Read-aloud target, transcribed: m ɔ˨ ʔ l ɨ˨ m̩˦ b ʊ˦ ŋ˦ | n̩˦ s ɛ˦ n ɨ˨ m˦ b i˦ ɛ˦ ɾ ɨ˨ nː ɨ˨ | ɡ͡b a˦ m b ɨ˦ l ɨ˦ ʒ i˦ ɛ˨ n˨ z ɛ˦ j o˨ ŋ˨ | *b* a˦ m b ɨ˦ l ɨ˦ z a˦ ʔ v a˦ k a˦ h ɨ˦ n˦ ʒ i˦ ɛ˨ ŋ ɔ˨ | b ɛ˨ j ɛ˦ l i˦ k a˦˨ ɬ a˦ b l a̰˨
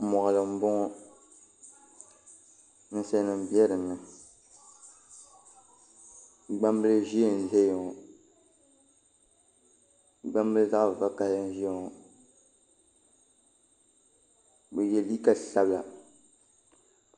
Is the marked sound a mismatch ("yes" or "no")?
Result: yes